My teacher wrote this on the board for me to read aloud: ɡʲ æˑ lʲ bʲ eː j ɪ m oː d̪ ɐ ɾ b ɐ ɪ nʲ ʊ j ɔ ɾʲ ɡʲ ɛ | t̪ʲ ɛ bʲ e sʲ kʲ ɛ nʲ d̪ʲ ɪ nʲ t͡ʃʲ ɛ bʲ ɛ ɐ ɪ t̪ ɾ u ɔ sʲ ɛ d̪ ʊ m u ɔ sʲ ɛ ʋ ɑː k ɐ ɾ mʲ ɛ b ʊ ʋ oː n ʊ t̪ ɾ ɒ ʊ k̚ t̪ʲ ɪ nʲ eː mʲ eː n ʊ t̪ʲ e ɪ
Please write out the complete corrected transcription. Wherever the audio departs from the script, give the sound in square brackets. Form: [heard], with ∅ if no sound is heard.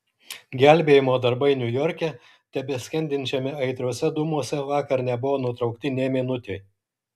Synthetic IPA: ɡʲ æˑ lʲ bʲ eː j ɪ m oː d̪ ɐ ɾ b ɐ ɪ nʲ ʊ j ɔ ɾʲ [kʲ] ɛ | t̪ʲ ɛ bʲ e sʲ kʲ ɛ nʲ d̪ʲ ɪ nʲ t͡ʃʲ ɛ [mʲ] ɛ ɐ ɪ t̪ ɾ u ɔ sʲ ɛ d̪ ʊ m u ɔ sʲ ɛ ʋ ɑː k ɐ ɾ [nʲ] ɛ b ʊ ʋ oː n ʊ t̪ ɾ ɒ ʊ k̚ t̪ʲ ɪ nʲ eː mʲ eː n ʊ t̪ʲ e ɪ